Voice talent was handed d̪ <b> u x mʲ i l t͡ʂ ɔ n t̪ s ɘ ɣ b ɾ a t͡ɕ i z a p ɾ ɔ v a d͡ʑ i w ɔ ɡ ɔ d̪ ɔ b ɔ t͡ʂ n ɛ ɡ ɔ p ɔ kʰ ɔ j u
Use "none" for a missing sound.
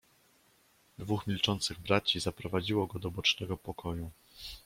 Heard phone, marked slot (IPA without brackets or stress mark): v